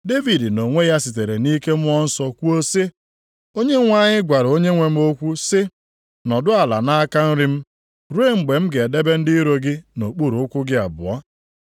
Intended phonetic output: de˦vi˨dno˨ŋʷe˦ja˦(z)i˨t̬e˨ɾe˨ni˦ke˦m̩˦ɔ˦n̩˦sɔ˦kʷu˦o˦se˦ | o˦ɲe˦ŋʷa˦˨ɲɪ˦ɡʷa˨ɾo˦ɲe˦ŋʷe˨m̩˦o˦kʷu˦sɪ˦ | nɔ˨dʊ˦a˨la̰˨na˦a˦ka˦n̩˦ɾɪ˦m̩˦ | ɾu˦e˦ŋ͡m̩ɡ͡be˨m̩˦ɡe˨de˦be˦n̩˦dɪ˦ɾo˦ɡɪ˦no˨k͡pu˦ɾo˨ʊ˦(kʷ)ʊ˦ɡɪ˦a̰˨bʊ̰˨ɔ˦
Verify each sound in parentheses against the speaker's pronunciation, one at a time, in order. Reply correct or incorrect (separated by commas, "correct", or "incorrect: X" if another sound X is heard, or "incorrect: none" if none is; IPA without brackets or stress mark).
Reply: incorrect: s, correct